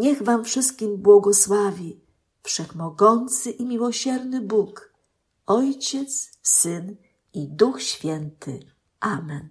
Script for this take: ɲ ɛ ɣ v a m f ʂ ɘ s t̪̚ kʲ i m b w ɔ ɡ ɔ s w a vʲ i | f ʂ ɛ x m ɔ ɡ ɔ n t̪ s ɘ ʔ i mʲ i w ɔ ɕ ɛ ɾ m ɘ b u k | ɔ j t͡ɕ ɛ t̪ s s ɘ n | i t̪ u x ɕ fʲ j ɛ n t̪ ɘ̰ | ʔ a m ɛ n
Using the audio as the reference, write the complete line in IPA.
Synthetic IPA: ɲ ɛ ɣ v a m f ʂ ɘ s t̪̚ kʲ i m b w ɔ ɡ ɔ s w a vʲ i | f ʂ ɛ x m ɔ ɡ ɔ n t̪ s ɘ ʔ i mʲ i w ɔ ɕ ɛ ɾ n ɘ b u k | ɔ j t͡ɕ ɛ t̪ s s ɘ n | i d̪ u x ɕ fʲ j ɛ n t̪ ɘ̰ | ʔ a m ɛ n